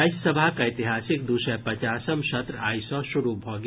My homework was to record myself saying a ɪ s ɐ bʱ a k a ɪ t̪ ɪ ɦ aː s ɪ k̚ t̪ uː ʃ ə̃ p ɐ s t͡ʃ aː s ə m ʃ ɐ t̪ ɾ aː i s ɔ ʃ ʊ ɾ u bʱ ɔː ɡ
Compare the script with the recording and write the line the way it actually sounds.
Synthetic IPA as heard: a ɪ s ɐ bʱ a k a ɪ t̪ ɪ ɦ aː s ɪ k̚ d̪ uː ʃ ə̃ p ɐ t͡ʃ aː s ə m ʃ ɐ t̪ ɾ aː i s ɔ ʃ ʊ ɾ u bʱ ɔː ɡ